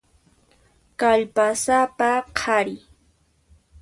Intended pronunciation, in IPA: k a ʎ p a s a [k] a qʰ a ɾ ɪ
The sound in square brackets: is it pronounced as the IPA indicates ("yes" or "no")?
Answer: no